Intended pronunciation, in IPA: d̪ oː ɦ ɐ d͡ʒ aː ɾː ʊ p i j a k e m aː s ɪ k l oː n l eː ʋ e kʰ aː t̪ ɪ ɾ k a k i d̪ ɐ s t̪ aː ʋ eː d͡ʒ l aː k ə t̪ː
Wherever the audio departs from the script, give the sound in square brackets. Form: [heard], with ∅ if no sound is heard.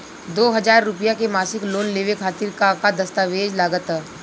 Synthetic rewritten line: d̪ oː ɦ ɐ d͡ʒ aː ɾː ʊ p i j a k e m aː s ɪ k l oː n l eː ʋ e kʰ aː t̪ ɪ ɾ k a k [a] d̪ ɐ s t̪ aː ʋ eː d͡ʒ l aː [ɡ] ə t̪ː